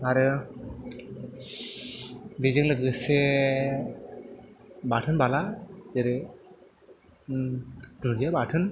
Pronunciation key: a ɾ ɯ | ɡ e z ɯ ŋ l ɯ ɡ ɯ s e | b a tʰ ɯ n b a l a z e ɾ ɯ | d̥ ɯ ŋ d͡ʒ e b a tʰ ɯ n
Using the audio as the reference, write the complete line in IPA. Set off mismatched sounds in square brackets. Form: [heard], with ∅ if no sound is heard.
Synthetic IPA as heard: a ɾ ɯ | [b] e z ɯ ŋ l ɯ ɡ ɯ s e | b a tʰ ɯ n b a l a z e ɾ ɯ | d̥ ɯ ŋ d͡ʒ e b a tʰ ɯ n